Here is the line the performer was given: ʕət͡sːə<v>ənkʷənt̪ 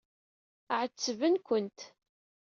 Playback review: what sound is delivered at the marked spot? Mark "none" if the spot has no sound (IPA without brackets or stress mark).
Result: v